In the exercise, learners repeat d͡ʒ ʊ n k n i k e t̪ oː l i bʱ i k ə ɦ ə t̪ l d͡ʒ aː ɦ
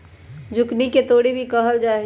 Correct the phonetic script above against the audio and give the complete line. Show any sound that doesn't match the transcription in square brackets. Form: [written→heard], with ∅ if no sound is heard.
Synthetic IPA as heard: d͡ʒ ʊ [n→∅] k n i k e t̪ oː [l→ɽ] i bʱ i k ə ɦ ə [t̪→∅] l d͡ʒ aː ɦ